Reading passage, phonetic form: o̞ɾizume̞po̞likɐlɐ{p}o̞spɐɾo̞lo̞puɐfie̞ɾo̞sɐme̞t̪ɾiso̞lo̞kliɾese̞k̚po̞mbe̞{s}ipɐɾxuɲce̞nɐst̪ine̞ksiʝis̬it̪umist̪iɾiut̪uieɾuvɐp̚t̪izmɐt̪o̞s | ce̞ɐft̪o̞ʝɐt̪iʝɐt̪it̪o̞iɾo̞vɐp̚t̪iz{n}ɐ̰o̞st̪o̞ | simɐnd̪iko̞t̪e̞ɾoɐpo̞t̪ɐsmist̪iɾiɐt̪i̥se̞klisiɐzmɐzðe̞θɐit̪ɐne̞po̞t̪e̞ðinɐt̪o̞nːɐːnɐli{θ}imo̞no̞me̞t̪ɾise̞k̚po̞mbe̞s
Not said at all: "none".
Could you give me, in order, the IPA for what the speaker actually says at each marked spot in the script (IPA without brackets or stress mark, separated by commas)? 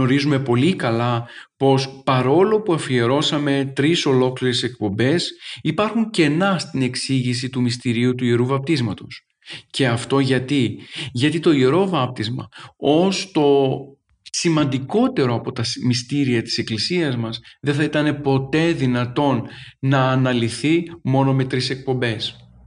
p, s, m, θ